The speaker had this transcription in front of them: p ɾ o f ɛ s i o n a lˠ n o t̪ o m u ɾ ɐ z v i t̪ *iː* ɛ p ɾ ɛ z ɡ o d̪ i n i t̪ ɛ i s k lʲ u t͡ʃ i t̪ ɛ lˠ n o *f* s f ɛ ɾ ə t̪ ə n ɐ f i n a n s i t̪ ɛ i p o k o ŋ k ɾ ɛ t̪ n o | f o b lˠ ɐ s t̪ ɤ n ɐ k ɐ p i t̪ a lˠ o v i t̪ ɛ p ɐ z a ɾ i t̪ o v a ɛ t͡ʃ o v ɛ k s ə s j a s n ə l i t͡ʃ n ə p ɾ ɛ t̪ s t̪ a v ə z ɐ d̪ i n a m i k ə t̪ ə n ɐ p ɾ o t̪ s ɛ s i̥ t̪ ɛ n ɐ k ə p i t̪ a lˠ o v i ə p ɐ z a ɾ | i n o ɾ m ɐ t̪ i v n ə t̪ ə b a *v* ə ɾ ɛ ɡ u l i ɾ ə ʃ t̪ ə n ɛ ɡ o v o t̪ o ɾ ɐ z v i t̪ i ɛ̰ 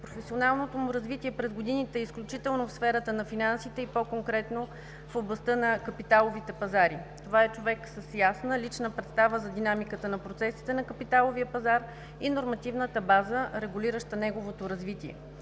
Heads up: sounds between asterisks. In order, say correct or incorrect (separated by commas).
incorrect, correct, incorrect